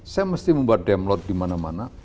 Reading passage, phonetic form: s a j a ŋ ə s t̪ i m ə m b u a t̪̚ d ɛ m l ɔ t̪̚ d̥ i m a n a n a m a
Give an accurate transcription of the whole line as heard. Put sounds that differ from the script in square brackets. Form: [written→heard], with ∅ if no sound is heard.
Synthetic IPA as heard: s a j a [ŋ→m] ə s t̪ i m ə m b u a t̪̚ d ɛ m l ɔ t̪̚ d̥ i m a n a [n→m] a [m→n] a